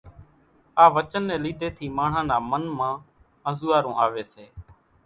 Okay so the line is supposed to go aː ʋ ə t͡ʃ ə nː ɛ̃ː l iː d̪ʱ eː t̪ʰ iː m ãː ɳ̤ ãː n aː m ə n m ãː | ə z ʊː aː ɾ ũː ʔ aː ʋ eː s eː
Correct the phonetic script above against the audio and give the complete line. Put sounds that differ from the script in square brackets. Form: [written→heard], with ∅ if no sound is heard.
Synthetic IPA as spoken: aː ʋ ə t͡ʃ ə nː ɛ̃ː l iː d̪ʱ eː t̪ʰ iː m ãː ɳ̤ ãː n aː m ə n m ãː | ə z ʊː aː ɾ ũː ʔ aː ʋ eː s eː